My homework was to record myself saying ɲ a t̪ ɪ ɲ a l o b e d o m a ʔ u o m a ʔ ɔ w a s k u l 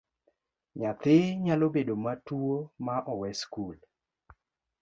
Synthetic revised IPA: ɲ a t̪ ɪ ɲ a l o b e d o m a t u o m a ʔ ɔ w ɛ s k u l